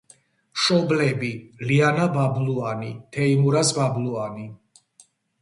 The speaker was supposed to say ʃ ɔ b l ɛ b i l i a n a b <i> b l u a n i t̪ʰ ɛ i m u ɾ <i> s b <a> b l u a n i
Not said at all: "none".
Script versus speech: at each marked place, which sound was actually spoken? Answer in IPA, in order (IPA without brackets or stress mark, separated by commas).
a, a, a